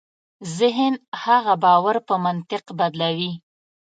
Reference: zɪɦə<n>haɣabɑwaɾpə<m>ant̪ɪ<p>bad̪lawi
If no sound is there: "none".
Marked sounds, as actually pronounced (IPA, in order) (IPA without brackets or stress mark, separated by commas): n, m, q